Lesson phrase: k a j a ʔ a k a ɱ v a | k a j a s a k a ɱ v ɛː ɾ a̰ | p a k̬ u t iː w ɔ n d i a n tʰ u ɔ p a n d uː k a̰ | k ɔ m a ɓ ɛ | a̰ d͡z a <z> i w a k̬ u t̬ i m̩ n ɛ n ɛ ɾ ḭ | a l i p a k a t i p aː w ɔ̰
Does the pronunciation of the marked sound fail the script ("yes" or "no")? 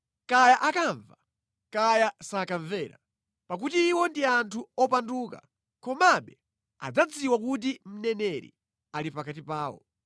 yes